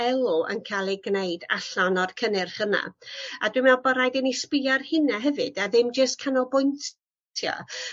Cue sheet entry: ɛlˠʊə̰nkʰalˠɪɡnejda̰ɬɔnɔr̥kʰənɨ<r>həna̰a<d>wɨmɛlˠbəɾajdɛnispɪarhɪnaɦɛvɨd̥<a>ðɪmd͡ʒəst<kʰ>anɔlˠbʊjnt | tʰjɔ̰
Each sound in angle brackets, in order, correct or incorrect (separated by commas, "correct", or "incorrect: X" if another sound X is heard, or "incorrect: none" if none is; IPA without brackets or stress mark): correct, correct, correct, correct